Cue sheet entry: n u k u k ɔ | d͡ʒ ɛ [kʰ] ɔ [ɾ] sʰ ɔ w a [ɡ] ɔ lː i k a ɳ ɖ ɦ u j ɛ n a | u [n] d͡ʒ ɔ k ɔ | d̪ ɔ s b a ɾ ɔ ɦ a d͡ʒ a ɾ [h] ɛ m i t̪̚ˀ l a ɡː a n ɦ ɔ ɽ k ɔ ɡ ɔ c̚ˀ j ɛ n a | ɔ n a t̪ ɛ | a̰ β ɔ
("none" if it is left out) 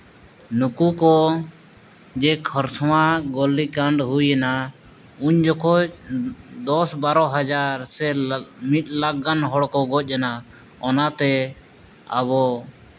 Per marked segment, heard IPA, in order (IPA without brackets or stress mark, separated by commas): kʰ, ɾ, ɡ, ɲ, s